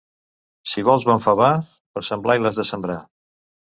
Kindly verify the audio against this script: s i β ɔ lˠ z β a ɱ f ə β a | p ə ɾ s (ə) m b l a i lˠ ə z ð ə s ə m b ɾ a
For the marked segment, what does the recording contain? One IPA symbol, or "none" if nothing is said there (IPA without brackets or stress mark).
ə